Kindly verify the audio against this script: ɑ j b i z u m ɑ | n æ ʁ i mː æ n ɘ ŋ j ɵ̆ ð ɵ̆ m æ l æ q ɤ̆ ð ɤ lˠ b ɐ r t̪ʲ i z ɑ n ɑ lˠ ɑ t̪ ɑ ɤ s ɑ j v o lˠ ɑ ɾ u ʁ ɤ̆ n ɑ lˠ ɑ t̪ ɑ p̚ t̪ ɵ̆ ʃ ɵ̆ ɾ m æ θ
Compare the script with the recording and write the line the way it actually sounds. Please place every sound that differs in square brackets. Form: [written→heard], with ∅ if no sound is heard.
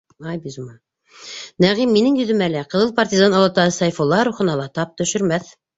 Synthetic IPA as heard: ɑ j b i z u m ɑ | n æ ʁ i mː [æ→i] n ɘ ŋ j ɵ̆ ð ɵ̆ m æ l æ q ɤ̆ ð ɤ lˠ [b→p] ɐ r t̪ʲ i z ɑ n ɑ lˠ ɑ t̪ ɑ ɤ s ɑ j [v→f] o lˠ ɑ ɾ u [ʁ→χ] ɤ̆ n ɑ lˠ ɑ t̪ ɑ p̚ t̪ ɵ̆ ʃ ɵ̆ ɾ m æ θ